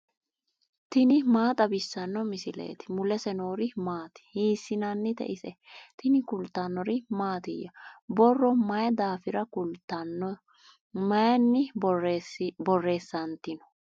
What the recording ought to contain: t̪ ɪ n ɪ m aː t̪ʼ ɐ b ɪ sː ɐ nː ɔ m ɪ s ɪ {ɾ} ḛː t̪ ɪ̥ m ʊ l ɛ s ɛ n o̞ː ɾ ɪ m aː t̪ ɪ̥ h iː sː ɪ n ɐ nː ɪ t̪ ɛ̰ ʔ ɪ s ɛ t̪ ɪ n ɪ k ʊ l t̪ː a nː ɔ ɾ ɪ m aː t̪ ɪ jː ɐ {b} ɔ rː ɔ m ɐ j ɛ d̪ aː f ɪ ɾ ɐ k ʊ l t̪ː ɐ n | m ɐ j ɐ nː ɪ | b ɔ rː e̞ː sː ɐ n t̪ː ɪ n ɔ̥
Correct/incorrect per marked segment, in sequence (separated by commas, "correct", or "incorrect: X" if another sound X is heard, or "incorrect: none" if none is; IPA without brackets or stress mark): incorrect: l, correct